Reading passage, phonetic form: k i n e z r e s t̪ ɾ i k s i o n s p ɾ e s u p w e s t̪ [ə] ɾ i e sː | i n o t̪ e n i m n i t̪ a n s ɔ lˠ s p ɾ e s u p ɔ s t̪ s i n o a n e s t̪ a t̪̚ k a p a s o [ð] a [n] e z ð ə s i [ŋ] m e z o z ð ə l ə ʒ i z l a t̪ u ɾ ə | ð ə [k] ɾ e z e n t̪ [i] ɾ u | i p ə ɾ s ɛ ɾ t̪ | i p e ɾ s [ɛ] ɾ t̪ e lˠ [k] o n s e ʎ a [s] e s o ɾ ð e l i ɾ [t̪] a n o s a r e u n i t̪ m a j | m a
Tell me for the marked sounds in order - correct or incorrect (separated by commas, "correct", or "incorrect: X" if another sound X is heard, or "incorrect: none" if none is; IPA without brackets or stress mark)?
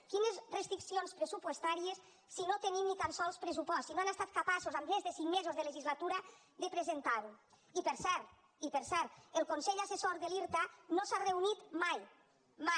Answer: incorrect: a, incorrect: z, incorrect: m, correct, incorrect: p, incorrect: a, correct, correct, correct, correct